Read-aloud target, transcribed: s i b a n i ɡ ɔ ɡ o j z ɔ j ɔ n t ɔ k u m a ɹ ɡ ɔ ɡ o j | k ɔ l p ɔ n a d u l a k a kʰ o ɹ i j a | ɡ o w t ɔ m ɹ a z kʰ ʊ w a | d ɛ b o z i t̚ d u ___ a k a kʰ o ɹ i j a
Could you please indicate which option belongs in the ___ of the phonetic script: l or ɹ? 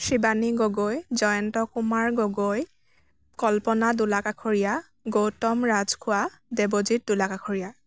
l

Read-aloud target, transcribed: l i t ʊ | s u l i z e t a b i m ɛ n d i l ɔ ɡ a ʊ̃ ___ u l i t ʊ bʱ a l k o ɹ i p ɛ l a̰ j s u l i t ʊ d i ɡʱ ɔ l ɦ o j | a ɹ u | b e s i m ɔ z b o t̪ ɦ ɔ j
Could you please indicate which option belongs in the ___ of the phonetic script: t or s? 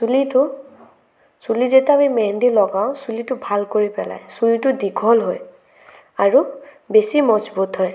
s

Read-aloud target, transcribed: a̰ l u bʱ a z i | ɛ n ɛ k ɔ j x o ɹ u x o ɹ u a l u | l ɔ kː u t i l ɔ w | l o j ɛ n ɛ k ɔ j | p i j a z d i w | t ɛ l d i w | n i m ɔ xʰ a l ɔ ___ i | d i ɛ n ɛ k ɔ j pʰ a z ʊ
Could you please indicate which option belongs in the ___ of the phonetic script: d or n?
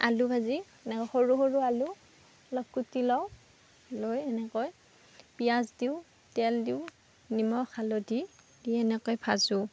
d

